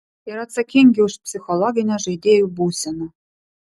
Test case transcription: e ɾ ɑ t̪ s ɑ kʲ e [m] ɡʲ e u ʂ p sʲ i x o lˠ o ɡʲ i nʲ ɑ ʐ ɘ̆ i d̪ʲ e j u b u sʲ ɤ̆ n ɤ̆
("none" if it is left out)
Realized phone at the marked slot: ŋ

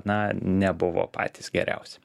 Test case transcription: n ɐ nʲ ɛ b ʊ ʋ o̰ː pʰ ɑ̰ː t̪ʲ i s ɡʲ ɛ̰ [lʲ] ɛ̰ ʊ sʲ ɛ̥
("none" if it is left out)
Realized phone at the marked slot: ɾʲ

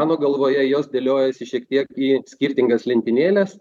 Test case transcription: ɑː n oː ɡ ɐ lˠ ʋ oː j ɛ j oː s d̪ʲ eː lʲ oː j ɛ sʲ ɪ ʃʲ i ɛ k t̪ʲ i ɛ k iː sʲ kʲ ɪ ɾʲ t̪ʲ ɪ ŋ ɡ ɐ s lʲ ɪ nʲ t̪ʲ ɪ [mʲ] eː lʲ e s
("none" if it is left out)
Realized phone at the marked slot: nʲ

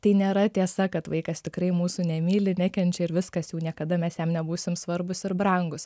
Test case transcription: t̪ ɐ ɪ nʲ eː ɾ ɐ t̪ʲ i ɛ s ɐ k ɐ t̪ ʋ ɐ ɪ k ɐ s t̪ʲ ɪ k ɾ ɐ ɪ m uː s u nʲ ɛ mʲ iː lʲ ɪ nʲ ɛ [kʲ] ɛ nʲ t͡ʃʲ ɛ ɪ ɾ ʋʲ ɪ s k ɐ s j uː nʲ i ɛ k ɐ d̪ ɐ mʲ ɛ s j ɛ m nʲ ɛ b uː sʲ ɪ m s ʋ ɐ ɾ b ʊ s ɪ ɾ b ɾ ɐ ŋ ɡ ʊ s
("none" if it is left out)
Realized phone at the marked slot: kʲ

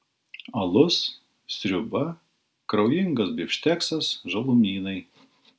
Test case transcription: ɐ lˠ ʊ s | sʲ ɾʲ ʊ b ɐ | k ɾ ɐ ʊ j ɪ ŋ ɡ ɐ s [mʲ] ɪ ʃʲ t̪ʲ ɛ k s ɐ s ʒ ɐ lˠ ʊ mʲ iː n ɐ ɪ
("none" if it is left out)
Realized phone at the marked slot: bʲ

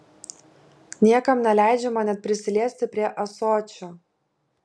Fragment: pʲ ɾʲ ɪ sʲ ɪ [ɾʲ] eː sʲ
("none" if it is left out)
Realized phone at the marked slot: lʲ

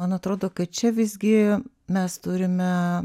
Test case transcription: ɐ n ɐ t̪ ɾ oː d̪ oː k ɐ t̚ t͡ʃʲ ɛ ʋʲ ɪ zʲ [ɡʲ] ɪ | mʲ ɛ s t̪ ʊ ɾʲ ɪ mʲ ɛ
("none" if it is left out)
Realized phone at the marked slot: ɡʲ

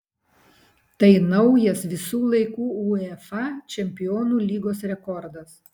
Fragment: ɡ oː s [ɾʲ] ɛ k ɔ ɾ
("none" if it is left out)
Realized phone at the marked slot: ɾʲ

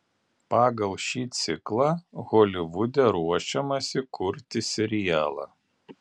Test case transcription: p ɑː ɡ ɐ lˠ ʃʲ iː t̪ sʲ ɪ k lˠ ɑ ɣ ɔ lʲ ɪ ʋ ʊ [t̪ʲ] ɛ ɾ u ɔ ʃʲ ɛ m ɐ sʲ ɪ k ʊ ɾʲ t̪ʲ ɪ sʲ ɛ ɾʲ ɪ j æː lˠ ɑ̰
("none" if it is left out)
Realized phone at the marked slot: d̪ʲ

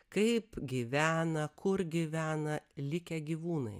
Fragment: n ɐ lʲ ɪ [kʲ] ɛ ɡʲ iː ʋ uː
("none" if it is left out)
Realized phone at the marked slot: kʲ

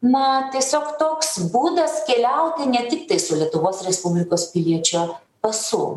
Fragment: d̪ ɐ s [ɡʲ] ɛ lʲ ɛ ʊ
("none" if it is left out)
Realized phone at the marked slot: kʲ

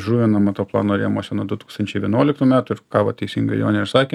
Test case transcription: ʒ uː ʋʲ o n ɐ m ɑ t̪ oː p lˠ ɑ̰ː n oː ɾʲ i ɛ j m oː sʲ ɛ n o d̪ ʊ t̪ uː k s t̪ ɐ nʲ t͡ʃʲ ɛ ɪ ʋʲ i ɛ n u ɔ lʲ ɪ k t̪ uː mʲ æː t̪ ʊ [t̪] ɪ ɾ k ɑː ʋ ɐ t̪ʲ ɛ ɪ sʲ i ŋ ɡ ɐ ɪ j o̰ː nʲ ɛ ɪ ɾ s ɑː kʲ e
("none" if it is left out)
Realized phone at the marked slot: none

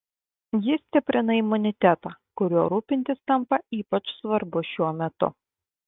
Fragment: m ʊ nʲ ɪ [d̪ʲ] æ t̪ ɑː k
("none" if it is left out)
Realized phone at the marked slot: t̪ʲ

